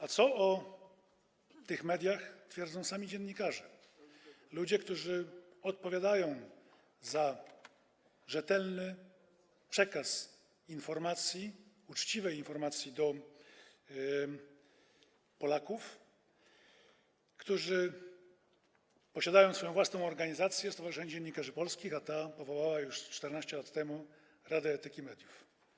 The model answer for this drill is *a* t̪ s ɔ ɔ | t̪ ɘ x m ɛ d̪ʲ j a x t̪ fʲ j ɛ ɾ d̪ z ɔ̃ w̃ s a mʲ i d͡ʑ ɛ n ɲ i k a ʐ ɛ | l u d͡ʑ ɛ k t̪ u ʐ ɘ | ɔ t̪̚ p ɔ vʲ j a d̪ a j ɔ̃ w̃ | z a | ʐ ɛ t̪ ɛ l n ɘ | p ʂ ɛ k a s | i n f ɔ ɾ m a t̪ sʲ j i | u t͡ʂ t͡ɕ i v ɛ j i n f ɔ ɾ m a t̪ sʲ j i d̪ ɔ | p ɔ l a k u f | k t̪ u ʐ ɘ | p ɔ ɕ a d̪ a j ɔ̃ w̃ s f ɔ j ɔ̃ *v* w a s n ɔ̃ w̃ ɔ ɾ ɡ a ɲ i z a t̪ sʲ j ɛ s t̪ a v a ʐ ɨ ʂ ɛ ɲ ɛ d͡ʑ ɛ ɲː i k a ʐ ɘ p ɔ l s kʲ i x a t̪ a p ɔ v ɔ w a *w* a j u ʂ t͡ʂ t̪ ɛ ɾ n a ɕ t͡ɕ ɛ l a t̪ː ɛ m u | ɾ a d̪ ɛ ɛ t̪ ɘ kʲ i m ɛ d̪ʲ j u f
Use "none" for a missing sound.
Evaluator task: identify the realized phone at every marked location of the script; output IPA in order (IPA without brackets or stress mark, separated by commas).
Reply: a, v, w